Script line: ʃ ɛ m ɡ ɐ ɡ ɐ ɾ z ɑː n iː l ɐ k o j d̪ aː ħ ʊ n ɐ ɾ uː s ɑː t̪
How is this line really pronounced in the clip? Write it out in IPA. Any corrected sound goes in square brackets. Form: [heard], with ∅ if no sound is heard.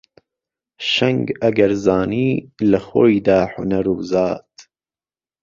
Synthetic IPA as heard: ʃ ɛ [ŋ] ɡ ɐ ɡ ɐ ɾ z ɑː n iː l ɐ [x] o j d̪ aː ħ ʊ n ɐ ɾ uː [z] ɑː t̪